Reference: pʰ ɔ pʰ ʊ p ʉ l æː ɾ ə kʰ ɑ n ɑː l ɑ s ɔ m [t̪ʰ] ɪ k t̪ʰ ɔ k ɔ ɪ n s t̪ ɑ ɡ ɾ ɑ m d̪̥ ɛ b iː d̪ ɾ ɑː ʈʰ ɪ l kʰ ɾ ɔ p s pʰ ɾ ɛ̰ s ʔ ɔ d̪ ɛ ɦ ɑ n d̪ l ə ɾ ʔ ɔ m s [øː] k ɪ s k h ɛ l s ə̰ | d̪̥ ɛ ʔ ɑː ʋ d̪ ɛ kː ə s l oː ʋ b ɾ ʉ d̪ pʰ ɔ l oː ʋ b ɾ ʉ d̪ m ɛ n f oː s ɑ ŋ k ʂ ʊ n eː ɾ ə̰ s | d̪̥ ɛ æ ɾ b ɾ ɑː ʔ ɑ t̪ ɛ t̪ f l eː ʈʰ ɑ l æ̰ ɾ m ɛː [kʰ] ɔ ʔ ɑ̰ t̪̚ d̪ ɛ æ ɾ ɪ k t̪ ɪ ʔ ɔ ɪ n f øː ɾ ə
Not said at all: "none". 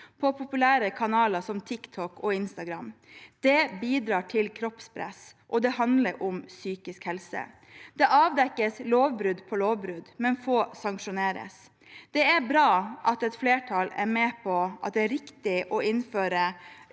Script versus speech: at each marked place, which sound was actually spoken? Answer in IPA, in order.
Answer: t̪ʰ, yː, pʰ

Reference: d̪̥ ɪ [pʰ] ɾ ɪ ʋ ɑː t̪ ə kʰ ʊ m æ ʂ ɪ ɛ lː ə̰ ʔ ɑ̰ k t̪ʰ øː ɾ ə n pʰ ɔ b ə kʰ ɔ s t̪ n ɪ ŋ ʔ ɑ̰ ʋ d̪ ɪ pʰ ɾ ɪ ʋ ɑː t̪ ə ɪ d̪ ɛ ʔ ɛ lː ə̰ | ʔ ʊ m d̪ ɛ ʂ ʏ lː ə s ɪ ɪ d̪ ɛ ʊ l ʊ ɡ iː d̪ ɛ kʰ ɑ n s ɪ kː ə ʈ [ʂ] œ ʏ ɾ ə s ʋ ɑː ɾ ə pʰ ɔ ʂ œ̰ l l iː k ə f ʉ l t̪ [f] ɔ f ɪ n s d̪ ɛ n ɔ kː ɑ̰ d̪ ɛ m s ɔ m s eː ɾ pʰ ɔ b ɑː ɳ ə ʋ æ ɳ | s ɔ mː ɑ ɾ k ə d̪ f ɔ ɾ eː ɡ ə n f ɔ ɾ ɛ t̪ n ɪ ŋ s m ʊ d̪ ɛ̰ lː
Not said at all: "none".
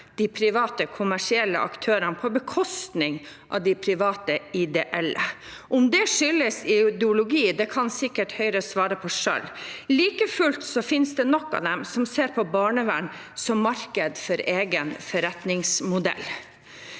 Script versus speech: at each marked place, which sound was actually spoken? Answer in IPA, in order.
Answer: pʰ, h, s

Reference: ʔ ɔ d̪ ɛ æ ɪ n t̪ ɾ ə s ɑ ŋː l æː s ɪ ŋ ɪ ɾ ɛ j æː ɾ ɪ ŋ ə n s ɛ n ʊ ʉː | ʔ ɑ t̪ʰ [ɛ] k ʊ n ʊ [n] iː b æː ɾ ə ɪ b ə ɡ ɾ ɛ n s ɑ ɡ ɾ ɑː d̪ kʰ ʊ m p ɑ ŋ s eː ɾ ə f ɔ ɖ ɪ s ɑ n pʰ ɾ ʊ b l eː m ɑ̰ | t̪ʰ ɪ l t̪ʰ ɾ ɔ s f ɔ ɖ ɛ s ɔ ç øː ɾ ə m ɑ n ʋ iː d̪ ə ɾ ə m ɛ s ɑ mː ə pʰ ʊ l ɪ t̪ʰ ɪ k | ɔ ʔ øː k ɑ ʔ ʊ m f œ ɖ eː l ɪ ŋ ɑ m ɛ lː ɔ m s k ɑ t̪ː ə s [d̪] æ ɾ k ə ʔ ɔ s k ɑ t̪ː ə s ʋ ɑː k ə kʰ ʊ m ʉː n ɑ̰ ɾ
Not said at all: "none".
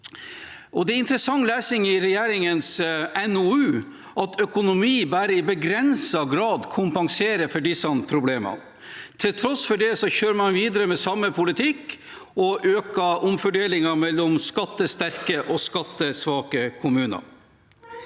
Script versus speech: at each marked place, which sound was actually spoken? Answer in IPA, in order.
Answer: œ, m, t̪

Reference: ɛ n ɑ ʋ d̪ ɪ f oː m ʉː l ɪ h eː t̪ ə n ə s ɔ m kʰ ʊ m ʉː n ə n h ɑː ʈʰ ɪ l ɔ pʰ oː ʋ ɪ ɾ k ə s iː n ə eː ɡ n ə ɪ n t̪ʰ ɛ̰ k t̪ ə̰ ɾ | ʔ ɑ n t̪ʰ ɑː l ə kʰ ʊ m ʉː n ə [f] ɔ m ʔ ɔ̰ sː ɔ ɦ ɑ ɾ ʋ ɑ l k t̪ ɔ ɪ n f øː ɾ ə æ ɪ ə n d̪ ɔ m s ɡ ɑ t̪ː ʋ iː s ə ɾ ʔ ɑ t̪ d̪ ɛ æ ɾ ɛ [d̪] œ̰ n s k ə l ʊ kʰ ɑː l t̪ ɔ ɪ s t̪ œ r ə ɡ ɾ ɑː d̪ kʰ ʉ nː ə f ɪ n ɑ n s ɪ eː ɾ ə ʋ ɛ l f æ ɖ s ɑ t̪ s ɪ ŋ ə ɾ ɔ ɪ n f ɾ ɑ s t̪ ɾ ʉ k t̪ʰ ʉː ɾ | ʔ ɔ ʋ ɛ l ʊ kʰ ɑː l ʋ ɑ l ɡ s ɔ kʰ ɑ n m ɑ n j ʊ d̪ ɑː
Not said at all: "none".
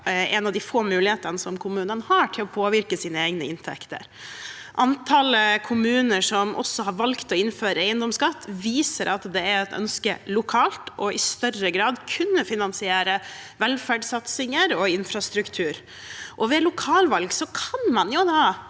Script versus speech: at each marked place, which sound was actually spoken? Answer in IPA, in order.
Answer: ʂ, t̪

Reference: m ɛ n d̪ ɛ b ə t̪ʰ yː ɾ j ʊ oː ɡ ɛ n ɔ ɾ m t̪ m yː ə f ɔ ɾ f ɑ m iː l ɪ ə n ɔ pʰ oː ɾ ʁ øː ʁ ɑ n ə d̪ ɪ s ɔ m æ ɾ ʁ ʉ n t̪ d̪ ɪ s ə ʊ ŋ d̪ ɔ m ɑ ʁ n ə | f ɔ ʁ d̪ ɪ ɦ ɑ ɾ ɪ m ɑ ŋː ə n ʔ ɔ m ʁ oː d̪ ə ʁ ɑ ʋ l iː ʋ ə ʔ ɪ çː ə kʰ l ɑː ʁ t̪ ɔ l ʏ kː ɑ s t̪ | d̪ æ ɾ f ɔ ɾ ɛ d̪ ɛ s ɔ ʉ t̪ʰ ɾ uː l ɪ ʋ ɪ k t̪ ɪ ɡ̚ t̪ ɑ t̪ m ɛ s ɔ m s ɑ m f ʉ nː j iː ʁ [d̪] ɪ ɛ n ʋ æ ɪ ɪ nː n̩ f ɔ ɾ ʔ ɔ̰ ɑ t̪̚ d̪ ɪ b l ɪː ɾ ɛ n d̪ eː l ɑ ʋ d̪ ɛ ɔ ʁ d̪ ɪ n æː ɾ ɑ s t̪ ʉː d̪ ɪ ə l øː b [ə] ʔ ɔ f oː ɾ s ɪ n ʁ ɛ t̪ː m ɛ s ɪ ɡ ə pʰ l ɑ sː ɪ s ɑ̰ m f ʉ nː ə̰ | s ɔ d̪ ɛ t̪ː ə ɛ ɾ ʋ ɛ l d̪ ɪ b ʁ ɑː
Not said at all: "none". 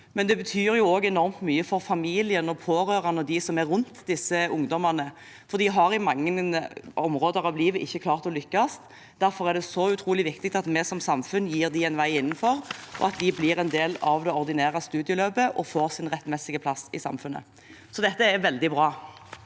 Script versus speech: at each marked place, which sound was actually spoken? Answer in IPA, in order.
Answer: d̪, ə

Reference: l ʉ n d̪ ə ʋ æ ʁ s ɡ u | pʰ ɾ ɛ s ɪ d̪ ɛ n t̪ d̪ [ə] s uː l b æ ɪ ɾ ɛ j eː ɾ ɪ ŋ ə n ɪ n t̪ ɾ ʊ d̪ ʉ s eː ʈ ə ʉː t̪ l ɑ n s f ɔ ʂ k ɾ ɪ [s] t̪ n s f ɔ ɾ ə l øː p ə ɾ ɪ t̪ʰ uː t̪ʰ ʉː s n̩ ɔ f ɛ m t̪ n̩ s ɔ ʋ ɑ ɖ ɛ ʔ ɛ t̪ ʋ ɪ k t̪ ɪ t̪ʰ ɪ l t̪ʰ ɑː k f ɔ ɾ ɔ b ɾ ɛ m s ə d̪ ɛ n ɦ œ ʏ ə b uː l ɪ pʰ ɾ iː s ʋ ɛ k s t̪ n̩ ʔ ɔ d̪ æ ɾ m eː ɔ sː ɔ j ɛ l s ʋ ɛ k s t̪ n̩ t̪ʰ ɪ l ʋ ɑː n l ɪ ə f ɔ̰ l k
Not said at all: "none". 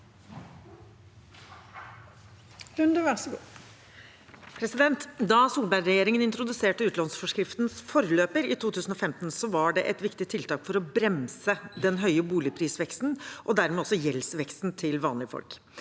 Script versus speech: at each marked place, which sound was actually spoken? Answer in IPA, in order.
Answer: ɑ, f

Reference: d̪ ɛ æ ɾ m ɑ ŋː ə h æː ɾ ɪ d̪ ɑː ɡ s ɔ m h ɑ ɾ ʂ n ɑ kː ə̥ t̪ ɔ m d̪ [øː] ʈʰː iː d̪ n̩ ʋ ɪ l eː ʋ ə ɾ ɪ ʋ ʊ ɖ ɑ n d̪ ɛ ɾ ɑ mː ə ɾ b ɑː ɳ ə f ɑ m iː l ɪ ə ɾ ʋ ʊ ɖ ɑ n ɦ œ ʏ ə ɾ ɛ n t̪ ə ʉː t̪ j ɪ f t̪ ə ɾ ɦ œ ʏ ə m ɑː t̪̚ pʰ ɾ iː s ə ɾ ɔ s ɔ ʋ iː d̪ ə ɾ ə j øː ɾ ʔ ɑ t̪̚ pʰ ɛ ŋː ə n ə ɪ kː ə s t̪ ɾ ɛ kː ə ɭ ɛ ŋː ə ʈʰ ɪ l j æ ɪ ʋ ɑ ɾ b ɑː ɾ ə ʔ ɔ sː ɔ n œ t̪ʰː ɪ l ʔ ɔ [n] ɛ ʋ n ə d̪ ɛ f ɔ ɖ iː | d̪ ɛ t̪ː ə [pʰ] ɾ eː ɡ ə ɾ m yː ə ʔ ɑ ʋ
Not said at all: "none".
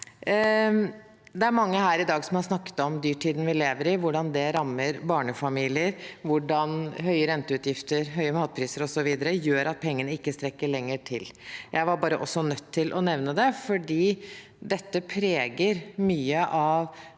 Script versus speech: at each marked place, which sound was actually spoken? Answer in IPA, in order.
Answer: yː, n, pʰ

